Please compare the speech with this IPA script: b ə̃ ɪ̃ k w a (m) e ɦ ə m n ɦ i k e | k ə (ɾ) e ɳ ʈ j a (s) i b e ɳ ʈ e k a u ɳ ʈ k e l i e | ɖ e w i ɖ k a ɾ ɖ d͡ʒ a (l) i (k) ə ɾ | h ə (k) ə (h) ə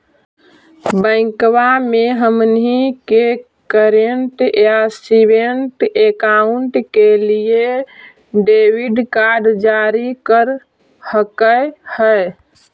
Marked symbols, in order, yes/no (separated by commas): yes, yes, yes, no, yes, yes, yes